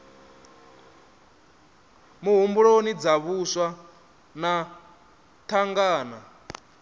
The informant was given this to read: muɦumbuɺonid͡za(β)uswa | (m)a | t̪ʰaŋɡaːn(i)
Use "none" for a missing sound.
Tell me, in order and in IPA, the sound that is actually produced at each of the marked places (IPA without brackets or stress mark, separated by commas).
β, n, a